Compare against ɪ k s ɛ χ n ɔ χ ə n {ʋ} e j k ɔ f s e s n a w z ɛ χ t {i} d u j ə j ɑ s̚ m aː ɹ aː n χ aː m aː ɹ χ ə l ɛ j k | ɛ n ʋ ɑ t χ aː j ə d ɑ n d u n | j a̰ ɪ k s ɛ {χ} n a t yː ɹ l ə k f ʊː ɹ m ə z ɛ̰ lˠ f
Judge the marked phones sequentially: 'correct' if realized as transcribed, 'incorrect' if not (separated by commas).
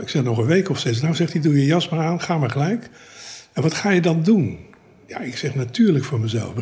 correct, correct, correct